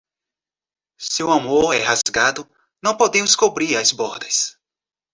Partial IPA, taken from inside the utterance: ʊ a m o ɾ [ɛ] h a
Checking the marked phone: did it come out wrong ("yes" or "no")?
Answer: no